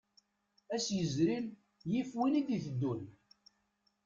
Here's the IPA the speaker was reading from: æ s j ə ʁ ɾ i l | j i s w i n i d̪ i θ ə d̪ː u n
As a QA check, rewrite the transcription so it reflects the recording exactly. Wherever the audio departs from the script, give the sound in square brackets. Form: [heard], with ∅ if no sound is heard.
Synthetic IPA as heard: æ s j ə [z] ɾ i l | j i [f] w i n i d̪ i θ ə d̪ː u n